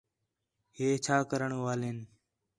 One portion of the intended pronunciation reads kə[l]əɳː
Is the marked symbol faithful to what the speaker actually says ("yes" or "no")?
no